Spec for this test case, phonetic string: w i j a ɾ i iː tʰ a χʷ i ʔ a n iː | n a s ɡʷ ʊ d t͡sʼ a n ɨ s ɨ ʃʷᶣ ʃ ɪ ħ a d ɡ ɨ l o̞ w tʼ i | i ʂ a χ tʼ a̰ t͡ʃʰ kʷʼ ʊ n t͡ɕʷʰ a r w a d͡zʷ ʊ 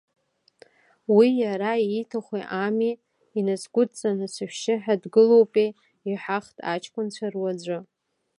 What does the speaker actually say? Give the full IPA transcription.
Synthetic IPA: w i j a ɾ a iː tʰ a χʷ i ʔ a m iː | n a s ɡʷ ʊ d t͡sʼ a n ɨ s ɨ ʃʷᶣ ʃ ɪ ħ a d ɡ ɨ l o̞ w pʼ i | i ħ a χ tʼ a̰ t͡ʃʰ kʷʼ ʊ n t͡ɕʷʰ a r w a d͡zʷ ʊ

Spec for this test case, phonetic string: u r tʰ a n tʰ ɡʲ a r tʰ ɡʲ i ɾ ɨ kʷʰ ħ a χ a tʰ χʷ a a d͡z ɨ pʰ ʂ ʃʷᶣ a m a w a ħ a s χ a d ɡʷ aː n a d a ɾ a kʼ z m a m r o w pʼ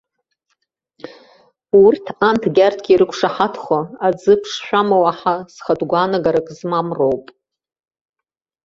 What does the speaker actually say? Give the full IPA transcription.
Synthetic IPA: u r tʰ a n tʰ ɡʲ a r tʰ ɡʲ i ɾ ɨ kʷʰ ʂ a ħ a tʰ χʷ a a d͡z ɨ pʰ ʂ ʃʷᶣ a m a w a ħ a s χ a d ɡʷ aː n a ɡ a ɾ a kʼ z m a m r o w pʼ

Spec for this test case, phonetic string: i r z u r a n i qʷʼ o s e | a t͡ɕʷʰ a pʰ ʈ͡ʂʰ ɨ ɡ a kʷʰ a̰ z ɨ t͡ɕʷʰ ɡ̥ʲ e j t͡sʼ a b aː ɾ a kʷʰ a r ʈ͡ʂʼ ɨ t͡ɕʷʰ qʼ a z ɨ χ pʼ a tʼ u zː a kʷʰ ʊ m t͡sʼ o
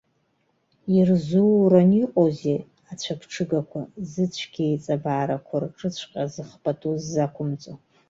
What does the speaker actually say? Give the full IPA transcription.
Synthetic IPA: i r z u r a n i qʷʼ o z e | a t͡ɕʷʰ a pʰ ʈ͡ʂʰ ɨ ɡ a kʷʰ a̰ z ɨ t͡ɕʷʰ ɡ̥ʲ e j t͡sʼ a b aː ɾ a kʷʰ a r ʈ͡ʂʼ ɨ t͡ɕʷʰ qʼ a z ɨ χ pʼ a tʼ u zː a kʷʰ ʊ m t͡sʼ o

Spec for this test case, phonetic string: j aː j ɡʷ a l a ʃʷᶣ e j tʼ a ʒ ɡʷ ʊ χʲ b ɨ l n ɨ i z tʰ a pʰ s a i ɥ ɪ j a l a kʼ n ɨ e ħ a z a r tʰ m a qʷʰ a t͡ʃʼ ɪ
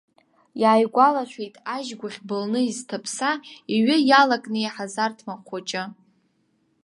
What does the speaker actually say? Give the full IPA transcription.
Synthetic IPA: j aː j ɡʷ a l a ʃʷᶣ e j tʼ a ʒ ɡʷ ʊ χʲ b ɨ l n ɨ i z tʰ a pʰ s a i ɥ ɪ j a l a kʼ n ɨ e ħ a z a r tʰ m a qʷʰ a t͡ʃʼ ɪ

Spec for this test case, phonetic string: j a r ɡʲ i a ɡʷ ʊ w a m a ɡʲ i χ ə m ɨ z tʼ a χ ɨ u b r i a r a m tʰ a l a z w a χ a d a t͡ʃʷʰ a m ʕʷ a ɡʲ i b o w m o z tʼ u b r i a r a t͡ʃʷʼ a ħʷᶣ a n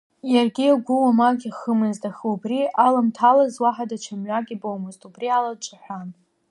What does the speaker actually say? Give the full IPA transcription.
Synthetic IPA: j a r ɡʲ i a ɡʷ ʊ w a m a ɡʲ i χ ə m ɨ z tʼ a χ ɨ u b r i a l a m tʰ a l a z w a ħ a d a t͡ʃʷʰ a m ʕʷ a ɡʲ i b o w m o z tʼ u b r i a l a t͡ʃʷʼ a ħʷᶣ a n

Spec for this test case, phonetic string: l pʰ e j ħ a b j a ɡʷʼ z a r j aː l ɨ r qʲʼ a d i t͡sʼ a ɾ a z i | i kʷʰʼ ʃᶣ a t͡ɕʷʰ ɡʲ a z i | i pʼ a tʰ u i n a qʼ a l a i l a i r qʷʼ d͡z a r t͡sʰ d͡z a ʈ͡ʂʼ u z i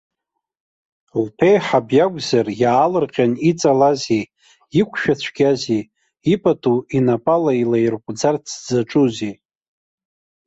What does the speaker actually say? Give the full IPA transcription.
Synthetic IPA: l pʰ e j ħ a b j a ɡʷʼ z a r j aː l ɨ r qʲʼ a n i t͡sʼ a l a z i | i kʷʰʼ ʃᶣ a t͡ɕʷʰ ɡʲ a z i | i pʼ a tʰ u i n a pʼ a l a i l a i r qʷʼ d͡z a r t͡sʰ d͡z a ʈ͡ʂʼ u z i

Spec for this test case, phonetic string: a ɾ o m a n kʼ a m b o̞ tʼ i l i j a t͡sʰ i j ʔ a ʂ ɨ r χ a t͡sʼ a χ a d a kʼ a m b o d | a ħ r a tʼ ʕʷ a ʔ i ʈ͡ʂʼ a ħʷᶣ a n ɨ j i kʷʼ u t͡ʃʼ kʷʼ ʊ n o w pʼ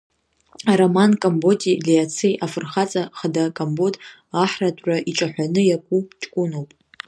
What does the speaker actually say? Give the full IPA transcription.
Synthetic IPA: a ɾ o m a n kʼ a m b o̞ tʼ i l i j a t͡sʰ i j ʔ a f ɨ r χ a t͡sʼ a χ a d a kʼ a m b o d | a ħ r a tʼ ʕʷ a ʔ i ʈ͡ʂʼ a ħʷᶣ a n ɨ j a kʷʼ u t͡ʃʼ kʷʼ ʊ n o w pʼ

